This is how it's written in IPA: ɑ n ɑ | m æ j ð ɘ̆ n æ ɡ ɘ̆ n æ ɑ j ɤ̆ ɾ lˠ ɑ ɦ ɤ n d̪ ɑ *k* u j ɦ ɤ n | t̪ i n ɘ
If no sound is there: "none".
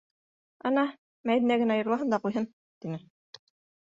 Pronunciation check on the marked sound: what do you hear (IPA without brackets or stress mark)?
q